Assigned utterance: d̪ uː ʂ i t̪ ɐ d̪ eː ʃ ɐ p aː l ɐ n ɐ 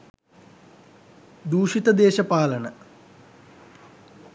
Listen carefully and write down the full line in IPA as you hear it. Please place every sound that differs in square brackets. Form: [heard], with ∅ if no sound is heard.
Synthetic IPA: d̪ uː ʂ i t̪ ɐ d̪ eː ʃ ɐ p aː l ɐ n ɐ